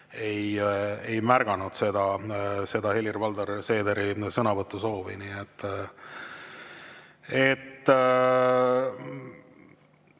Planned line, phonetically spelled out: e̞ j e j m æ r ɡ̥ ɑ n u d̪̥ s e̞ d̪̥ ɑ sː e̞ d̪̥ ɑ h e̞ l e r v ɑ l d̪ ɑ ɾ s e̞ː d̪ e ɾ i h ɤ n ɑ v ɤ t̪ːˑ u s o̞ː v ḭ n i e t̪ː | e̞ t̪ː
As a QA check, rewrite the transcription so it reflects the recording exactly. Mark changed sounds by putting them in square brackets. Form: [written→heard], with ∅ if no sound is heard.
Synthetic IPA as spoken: e̞ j e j m æ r ɡ̥ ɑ n u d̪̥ s e̞ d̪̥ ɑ [sː→s] e̞ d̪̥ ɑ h e̞ l [e→i] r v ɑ l d̪ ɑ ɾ s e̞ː d̪ e ɾ i [h→s] ɤ n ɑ v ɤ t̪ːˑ u s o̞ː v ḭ n i e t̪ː | e̞ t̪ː